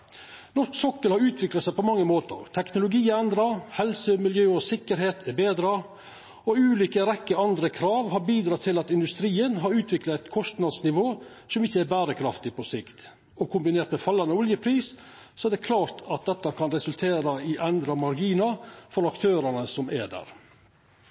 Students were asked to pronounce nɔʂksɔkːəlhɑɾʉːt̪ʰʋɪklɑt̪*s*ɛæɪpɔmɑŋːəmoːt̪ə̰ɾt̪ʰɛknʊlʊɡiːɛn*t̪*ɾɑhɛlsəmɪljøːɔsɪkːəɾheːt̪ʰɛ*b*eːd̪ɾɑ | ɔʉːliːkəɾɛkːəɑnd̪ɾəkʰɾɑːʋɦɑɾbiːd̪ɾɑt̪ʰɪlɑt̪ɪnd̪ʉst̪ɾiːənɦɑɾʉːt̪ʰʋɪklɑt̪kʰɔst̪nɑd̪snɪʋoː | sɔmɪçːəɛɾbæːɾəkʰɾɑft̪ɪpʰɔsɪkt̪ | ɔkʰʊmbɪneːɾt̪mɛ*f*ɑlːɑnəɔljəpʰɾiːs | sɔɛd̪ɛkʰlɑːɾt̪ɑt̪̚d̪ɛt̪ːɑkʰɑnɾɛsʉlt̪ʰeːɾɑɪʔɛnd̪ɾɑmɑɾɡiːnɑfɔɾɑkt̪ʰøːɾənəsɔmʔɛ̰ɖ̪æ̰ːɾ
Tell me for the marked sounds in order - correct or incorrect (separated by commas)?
correct, incorrect, correct, correct